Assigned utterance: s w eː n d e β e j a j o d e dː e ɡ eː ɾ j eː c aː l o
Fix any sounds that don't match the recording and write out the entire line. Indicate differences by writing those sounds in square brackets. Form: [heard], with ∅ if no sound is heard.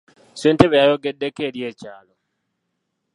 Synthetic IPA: s w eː n [t] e β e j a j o [ɡ] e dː e [k] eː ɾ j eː c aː l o